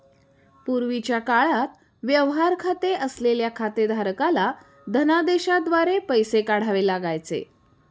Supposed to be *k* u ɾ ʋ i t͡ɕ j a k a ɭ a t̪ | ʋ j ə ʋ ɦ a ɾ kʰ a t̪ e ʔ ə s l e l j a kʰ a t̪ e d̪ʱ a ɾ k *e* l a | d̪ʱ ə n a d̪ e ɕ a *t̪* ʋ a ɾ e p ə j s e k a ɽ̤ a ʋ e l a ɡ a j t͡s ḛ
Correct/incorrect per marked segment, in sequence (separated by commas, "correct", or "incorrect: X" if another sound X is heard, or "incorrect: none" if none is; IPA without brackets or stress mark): incorrect: p, incorrect: a, incorrect: d̪